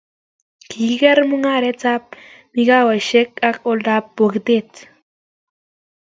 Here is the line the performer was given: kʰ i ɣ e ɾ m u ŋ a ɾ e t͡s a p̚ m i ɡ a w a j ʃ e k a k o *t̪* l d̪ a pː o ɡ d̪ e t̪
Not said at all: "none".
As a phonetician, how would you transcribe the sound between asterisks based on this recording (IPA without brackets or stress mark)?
none